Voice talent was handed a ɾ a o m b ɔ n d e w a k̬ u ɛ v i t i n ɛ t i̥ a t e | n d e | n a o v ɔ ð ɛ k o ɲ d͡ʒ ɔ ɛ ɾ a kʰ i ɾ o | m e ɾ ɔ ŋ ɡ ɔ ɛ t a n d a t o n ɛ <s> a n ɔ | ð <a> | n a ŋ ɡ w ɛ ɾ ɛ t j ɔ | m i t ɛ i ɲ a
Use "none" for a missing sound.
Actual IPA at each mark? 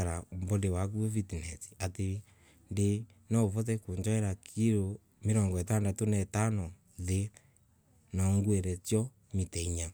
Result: t, e

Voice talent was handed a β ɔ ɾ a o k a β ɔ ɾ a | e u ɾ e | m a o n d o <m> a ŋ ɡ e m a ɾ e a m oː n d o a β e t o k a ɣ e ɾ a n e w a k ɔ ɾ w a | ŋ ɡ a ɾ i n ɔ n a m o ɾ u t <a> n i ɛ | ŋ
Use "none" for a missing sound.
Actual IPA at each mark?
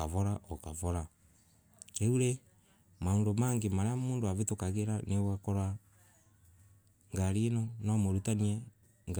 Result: m, a

